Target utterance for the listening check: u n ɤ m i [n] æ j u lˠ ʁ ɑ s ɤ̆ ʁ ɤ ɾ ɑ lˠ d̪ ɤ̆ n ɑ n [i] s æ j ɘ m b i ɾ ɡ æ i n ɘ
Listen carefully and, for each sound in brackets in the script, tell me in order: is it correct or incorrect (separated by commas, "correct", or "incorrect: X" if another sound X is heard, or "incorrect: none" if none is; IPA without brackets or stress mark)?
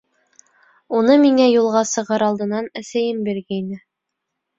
incorrect: ŋ, incorrect: æ